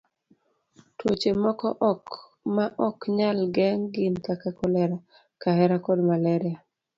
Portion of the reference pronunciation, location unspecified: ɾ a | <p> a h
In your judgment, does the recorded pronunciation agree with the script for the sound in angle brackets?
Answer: no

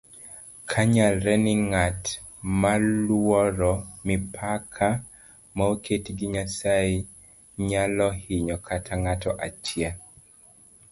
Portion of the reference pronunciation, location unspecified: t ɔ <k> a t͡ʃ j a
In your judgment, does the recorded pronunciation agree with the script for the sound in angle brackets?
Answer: no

